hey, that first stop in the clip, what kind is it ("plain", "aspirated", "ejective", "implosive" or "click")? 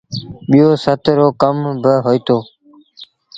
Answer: implosive